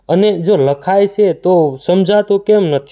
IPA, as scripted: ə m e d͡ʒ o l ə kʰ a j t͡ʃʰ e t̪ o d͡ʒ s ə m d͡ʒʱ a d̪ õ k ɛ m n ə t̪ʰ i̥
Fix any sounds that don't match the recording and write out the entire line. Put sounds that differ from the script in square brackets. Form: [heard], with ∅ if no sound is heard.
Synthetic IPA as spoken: ə [n] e d͡ʒ o l ə kʰ a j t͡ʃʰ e t̪ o [∅] s ə m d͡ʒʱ a [t̪] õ k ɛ m n ə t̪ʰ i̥